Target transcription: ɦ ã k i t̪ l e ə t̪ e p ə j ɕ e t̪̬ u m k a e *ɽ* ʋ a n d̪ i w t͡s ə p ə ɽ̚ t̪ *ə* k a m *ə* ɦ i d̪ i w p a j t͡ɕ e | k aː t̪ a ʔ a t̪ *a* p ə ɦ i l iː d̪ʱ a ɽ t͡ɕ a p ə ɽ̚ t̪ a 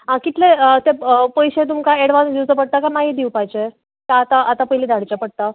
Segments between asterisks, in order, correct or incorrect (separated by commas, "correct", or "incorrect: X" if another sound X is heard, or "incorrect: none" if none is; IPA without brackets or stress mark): correct, incorrect: a, incorrect: a, correct